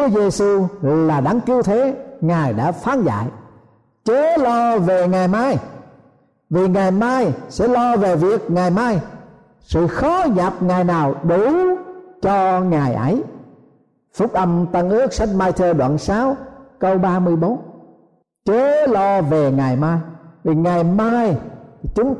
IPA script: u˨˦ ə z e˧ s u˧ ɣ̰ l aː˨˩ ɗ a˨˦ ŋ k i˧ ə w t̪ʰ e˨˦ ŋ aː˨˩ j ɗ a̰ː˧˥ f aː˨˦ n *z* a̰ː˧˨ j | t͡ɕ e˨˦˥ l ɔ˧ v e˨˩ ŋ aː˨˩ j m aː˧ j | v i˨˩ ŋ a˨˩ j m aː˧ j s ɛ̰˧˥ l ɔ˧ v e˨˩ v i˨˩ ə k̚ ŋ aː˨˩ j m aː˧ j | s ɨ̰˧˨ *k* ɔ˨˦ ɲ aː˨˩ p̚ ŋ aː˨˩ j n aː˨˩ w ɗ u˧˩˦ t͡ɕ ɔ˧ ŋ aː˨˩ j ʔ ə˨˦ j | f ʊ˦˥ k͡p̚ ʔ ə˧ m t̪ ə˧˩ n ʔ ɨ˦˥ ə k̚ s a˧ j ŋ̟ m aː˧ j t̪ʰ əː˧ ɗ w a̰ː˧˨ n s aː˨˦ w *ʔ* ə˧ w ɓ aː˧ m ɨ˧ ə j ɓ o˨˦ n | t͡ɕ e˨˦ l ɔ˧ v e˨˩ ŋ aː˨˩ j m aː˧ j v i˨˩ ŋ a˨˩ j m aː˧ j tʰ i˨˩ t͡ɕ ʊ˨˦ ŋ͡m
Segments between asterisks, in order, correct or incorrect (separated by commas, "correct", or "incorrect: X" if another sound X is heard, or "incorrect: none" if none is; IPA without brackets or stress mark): correct, incorrect: x, incorrect: k